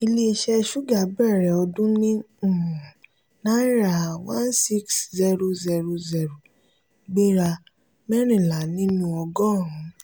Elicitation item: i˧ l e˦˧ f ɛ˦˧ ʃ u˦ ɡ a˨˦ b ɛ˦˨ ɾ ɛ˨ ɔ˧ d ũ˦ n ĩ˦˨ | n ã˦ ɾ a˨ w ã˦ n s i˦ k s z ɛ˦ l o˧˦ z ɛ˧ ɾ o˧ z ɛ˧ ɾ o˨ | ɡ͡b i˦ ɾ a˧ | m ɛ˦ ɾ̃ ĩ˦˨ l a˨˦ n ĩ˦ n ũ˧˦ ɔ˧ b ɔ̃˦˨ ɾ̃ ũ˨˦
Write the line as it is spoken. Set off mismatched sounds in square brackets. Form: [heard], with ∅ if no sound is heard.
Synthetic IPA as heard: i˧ l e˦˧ [ʃ] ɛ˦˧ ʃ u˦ ɡ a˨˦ b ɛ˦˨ ɾ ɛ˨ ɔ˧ d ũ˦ n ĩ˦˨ | n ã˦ ɾ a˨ w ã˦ n s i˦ k s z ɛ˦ [ɾ] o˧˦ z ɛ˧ ɾ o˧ z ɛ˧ ɾ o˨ | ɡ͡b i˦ ɾ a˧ | m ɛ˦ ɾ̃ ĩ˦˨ l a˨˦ n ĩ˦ n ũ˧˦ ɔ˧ [ɡ] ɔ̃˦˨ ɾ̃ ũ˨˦